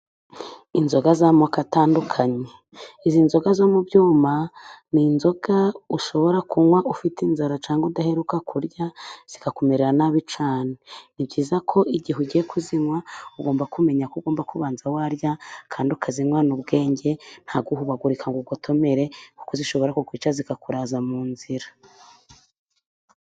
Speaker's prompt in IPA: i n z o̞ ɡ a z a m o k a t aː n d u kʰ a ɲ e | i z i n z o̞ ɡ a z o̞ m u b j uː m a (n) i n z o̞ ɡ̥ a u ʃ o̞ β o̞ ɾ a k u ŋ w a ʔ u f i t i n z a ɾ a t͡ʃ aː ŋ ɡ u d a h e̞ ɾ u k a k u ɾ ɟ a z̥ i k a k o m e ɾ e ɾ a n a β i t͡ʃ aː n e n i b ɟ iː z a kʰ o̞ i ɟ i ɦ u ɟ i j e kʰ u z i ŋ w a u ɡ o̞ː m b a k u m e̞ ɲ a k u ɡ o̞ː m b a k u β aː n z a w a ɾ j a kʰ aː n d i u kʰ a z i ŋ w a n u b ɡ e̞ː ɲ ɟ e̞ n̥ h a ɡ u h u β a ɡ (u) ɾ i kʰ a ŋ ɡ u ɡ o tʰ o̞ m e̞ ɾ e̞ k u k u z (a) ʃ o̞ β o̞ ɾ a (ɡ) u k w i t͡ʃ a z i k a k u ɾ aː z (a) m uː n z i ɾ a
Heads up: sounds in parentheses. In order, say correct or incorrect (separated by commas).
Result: correct, correct, incorrect, incorrect, correct